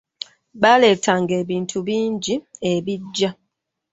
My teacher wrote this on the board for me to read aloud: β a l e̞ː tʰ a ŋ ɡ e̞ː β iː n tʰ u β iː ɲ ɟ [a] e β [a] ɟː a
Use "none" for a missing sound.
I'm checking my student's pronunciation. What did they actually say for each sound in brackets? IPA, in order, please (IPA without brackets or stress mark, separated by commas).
i, i